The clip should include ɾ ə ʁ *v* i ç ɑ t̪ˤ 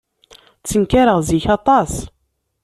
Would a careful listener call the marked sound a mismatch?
yes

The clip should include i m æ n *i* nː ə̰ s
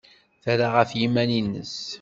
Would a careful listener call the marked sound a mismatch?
no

